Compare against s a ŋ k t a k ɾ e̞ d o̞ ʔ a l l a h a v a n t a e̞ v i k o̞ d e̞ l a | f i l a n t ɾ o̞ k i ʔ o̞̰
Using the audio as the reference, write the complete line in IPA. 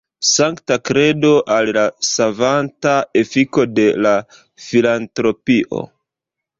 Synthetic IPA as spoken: s a ŋ k t a k ɾ e̞ d o̞ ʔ a l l a s a v a n t a e̞ f i k o̞ d e̞ l a | f i l a n t ɾ o̞ p i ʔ o̞̰